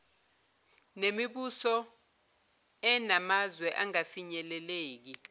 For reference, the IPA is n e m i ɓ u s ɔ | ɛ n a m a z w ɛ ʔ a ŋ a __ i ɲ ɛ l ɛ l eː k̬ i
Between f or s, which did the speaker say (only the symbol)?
f